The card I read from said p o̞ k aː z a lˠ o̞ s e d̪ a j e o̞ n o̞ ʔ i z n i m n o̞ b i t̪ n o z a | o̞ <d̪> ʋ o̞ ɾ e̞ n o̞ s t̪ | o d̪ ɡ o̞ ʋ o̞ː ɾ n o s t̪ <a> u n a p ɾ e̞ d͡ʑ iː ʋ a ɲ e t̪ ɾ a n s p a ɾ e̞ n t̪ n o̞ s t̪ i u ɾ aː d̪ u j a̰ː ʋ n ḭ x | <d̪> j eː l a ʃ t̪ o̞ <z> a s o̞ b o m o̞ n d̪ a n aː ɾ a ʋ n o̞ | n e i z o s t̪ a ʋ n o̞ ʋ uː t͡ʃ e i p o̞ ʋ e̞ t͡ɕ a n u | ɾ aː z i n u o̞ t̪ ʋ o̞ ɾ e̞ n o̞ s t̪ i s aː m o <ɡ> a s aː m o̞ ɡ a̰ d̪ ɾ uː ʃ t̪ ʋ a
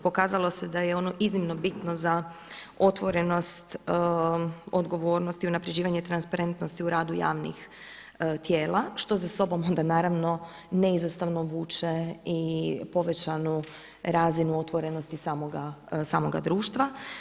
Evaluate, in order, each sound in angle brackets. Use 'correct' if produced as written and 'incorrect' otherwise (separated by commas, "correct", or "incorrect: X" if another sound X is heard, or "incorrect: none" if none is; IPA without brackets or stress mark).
incorrect: t̪, incorrect: i, incorrect: t̪, correct, correct